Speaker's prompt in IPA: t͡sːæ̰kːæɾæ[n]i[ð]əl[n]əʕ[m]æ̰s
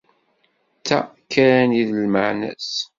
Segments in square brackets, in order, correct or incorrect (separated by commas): correct, correct, incorrect, incorrect